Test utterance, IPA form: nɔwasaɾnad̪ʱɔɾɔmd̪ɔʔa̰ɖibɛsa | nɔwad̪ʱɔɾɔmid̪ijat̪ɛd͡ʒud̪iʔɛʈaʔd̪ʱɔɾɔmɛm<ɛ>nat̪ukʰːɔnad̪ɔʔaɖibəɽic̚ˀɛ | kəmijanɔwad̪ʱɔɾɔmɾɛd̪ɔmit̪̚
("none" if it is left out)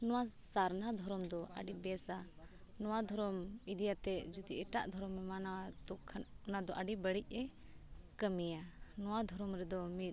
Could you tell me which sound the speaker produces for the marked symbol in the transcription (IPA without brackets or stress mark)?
a